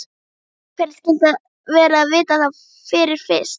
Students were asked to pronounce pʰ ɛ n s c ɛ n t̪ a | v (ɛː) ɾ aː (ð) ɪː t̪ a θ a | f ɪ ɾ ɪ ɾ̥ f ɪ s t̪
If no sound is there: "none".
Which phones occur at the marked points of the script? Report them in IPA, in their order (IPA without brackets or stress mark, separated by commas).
ɛː, v